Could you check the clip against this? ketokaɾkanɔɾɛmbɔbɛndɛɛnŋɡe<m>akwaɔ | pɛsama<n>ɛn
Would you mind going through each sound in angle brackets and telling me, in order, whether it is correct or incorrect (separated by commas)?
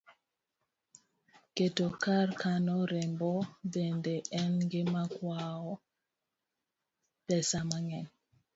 correct, incorrect